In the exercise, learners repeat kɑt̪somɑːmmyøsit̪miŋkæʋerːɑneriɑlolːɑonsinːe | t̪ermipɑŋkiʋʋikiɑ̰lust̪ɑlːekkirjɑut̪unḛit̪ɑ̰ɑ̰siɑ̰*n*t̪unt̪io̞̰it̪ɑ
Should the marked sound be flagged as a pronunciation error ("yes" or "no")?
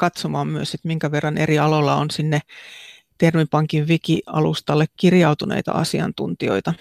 no